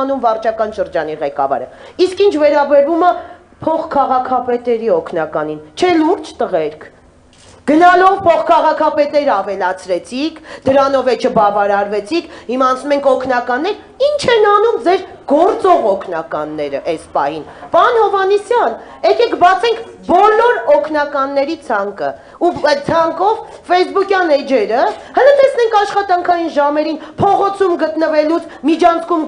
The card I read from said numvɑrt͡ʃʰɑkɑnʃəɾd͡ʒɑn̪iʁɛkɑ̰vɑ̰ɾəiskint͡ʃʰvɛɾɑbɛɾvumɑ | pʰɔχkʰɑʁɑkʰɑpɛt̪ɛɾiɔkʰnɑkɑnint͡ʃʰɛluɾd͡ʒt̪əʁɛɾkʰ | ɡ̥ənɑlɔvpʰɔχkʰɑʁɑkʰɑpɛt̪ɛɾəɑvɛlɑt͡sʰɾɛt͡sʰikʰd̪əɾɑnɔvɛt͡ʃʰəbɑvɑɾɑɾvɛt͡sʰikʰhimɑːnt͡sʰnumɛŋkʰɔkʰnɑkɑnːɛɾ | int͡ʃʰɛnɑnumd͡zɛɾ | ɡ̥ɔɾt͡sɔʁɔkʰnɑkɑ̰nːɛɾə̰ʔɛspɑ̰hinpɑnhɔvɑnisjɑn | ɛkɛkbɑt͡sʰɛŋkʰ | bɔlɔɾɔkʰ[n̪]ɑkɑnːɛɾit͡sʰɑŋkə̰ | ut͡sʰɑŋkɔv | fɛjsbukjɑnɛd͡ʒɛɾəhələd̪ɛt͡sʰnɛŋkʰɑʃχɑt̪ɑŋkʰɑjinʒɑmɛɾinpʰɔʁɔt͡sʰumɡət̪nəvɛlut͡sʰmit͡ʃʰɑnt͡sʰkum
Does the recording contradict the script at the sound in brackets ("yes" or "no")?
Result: no